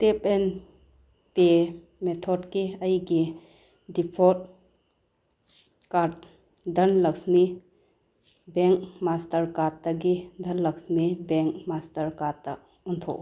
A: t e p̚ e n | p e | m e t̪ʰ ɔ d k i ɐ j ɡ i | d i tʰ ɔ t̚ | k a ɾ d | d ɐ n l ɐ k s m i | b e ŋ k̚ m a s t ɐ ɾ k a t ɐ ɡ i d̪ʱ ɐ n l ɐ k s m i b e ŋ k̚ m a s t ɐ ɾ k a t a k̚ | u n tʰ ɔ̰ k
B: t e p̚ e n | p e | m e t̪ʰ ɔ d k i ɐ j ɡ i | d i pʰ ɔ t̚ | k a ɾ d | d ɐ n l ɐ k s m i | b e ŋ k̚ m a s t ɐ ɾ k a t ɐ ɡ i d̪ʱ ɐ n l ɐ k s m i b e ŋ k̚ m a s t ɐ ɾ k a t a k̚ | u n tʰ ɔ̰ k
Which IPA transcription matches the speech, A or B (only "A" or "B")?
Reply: B